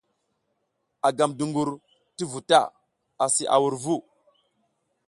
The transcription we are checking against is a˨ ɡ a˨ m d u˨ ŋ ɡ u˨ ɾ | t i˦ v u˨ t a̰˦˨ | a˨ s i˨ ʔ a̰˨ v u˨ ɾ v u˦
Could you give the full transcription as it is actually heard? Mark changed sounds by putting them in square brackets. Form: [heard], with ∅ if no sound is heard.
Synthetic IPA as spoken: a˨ ɡ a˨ m d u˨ ŋ ɡ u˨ ɾ | t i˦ v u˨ t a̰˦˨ | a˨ s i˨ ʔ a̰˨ [w] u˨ ɾ v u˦